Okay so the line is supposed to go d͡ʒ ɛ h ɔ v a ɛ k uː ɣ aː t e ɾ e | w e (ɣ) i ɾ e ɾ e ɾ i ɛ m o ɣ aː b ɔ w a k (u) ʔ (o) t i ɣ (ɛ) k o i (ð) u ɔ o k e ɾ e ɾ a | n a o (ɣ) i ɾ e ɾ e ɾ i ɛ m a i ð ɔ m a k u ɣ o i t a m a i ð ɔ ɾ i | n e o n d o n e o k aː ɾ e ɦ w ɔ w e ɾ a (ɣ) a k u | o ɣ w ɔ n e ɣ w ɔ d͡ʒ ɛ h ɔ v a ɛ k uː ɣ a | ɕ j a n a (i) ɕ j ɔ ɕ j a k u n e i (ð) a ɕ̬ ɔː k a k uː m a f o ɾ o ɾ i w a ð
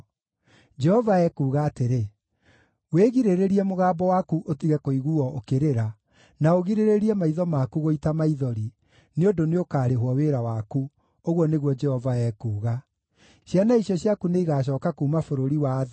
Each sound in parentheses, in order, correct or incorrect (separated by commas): correct, correct, correct, correct, incorrect, correct, incorrect, correct, incorrect